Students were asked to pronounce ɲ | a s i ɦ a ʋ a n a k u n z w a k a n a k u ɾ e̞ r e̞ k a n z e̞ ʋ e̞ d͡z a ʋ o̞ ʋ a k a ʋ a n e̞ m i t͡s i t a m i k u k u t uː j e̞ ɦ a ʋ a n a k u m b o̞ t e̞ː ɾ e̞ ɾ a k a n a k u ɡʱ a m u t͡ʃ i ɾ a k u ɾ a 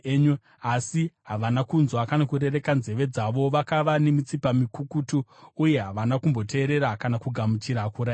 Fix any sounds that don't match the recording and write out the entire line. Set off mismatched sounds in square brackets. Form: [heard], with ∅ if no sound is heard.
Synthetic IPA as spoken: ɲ | a s i ɦ a ʋ a n a k u n z w a k a n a k u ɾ e̞ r e̞ k a n z e̞ ʋ e̞ d͡z a ʋ o̞ ʋ a k a ʋ a n e̞ m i t͡s i [p] a m i k u k u t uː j e̞ ɦ a ʋ a n a k u m b o̞ t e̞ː ɾ e̞ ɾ a k a n a k u ɡʱ a m u t͡ʃ i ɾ a k u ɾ a